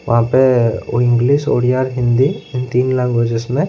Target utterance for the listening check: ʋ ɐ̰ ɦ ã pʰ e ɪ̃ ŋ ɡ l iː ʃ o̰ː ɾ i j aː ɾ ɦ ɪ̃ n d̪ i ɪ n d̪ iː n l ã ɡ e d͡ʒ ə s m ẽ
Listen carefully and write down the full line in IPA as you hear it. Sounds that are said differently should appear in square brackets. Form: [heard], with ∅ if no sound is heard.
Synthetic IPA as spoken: ʋ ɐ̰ ɦ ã [p] e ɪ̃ ŋ ɡ l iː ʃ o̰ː [ɽ] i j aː ɾ ɦ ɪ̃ n d̪ i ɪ n [t̪] iː n l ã ɡ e d͡ʒ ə s m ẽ